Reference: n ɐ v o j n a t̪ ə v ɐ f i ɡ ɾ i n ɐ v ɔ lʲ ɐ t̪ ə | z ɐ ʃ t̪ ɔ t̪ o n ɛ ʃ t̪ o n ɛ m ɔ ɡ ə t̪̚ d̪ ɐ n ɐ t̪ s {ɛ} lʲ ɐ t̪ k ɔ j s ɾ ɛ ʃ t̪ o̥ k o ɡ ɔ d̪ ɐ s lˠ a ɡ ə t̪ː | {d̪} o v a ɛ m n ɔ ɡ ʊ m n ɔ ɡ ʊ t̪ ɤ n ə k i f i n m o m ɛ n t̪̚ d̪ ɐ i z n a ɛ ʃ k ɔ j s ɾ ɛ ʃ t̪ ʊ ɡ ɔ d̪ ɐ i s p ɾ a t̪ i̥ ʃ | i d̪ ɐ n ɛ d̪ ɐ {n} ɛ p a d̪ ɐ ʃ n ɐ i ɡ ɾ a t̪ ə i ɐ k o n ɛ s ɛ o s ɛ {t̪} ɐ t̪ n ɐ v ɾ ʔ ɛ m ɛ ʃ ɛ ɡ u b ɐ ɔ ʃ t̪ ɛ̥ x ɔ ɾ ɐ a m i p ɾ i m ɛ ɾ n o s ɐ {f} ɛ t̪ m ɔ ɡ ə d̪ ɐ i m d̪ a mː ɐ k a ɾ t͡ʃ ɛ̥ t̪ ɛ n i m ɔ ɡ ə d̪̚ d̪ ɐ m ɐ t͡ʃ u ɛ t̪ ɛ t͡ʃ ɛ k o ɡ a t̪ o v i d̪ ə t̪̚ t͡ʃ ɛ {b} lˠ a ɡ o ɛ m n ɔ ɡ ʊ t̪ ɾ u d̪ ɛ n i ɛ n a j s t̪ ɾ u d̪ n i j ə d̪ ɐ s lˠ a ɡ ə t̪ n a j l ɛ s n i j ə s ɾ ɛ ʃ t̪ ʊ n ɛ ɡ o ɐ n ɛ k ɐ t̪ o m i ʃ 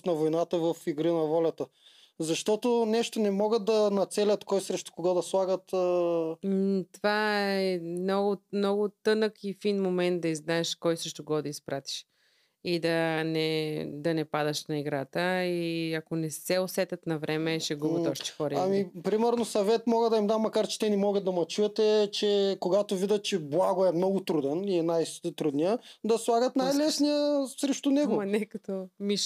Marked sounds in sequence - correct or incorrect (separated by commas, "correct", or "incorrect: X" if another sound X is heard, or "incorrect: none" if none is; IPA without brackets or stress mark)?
correct, incorrect: t̪, correct, correct, incorrect: v, correct